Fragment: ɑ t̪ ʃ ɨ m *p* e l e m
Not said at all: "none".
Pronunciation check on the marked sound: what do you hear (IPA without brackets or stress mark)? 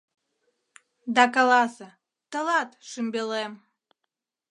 b